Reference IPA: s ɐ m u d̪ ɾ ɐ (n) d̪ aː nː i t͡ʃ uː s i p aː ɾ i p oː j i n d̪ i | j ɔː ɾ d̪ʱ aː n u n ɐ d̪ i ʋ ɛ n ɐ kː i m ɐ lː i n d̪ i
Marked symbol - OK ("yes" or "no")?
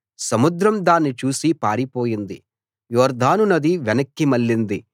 no